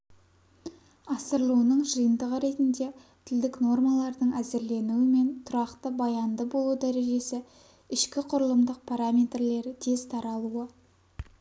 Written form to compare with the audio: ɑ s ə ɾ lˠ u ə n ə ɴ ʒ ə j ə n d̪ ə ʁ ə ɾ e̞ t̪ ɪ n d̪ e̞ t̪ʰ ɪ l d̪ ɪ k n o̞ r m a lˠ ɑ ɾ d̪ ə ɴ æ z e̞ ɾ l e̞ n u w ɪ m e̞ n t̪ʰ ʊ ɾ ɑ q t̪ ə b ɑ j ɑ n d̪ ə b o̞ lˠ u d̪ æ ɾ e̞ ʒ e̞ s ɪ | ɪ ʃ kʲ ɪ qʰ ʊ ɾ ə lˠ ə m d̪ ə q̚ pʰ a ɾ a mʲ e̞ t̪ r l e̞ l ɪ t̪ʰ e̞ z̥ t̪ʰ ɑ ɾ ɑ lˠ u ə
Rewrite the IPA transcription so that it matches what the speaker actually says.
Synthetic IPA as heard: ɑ s ə ɾ lˠ u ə n ə ɴ ʒ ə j ə n d̪ ə ʁ ə ɾ e̞ t̪ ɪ n d̪ e̞ t̪ʰ ɪ l d̪ ɪ k n o̞ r m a lˠ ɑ ɾ d̪ ə ɴ æ z e̞ ɾ l e̞ n u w ɪ m e̞ n t̪ʰ ʊ ɾ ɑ q t̪ ə b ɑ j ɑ n d̪ ə b o̞ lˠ u d̪ æ ɾ e̞ ʒ e̞ s ɪ | ɪ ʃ kʲ ɪ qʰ ʊ ɾ ə lˠ ə m d̪ ə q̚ pʰ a ɾ a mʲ e̞ t̪ r l e̞ ɾ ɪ t̪ʰ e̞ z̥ t̪ʰ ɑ ɾ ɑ lˠ u ə